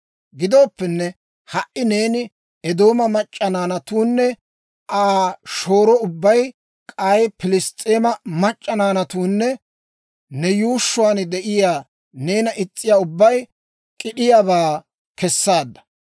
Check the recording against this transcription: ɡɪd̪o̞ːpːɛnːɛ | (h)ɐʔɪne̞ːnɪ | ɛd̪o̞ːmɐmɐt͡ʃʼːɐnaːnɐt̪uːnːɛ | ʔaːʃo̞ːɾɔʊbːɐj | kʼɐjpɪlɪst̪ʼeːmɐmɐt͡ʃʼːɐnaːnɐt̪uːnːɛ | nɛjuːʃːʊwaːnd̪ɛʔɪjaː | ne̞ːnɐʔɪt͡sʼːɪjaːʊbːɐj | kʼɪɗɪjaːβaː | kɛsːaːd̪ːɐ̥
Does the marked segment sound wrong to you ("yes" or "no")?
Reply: no